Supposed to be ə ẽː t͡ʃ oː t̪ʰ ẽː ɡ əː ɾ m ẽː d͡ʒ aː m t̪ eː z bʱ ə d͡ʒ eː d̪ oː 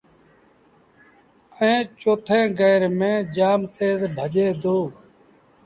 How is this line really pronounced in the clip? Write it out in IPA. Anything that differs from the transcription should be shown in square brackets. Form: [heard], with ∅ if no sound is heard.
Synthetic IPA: ə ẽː t͡ʃ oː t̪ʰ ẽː ɡ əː ɾ m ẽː d͡ʒ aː m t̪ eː z bʱ ə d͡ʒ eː d̪ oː